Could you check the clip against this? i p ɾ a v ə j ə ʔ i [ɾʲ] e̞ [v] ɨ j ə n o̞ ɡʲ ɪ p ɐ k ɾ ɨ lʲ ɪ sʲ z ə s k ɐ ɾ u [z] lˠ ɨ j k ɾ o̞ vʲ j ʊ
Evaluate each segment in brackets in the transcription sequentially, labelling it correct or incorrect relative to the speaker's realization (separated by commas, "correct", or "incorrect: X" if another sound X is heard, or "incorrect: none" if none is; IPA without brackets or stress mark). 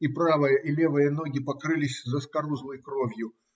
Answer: incorrect: lʲ, correct, correct